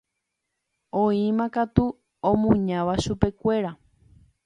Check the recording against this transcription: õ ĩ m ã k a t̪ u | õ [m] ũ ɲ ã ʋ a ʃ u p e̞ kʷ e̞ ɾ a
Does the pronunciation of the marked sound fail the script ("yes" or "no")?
no